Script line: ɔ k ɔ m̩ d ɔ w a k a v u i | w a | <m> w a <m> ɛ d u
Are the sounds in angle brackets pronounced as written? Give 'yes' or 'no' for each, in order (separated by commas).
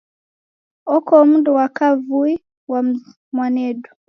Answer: yes, no